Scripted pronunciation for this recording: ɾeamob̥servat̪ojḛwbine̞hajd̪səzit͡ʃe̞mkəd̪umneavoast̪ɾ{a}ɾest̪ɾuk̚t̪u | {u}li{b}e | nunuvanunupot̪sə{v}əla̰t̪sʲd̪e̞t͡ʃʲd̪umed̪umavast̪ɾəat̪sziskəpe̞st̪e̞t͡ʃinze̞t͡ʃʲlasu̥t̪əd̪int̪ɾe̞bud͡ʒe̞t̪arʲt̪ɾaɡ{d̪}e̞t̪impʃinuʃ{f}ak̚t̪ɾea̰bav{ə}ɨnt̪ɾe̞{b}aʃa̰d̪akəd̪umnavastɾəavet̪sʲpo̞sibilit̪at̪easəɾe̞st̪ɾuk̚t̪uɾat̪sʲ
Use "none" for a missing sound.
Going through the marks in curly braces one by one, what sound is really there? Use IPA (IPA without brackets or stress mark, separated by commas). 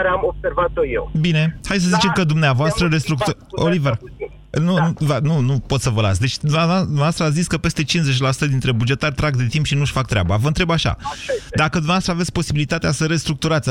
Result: ə, o, v, v, d̪, f, ə, b